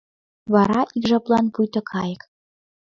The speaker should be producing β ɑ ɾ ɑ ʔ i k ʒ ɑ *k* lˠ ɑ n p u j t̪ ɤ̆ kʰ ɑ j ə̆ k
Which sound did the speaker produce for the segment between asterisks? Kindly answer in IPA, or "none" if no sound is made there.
p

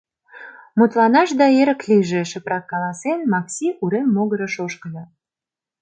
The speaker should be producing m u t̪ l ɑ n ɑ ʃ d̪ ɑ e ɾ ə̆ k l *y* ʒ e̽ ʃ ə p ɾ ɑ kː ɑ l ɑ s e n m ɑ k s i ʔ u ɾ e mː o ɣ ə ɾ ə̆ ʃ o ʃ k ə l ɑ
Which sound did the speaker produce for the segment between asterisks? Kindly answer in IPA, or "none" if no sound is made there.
i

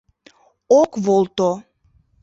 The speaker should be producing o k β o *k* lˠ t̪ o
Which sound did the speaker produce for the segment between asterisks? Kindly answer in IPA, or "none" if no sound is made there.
none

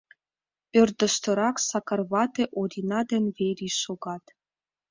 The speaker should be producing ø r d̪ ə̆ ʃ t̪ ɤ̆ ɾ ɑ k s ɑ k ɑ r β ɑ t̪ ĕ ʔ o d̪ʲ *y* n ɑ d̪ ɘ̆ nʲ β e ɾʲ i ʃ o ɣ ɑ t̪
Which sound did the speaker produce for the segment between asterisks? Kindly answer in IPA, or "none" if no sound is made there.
i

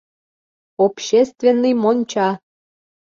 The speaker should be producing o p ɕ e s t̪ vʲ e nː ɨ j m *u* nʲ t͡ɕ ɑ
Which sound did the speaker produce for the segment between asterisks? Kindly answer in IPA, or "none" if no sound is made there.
o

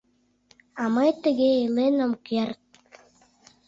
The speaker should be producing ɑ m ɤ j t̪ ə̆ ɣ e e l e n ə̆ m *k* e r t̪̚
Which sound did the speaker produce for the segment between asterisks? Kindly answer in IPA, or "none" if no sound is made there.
k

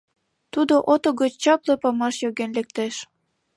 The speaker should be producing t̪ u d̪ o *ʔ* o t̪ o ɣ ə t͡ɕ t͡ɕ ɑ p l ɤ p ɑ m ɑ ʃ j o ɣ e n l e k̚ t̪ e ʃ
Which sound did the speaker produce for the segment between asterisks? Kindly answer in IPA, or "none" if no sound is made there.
ʔ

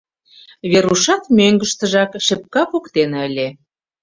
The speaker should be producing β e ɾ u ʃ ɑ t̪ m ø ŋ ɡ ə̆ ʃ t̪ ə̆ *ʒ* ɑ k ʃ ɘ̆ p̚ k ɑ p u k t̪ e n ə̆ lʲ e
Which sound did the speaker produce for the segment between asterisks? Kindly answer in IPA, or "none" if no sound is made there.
ʒ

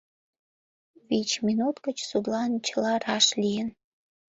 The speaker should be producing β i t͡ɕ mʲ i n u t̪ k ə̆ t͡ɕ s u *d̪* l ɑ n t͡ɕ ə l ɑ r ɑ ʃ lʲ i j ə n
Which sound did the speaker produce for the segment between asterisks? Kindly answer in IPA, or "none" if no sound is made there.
d̪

